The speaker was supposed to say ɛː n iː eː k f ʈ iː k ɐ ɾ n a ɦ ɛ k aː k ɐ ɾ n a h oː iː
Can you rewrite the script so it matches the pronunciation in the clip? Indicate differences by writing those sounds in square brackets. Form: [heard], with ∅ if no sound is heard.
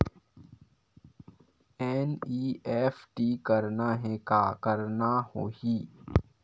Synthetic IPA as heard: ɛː n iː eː [∅] f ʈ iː k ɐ ɾ n a ɦ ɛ k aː k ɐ ɾ n a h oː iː